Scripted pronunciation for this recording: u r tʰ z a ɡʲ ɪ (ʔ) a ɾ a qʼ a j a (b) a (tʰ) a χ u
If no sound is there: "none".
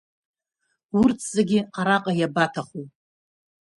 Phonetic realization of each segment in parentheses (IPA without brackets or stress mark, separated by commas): q, b, tʰ